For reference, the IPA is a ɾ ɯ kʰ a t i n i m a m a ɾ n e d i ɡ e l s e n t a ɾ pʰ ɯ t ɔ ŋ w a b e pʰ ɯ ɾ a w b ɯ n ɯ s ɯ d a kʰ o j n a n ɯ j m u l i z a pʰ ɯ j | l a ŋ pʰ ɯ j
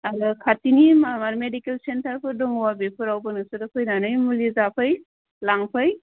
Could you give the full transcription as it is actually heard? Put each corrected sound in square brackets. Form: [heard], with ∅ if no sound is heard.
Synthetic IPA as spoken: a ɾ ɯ kʰ a t i n i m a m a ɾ [m] e d i [k] e l s e n t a ɾ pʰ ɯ [d] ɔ ŋ w a b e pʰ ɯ ɾ a w b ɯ n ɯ s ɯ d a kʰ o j n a n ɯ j m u l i z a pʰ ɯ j | l a ŋ pʰ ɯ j